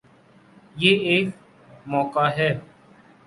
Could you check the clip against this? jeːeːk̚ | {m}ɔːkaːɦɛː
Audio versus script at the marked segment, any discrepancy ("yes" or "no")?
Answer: no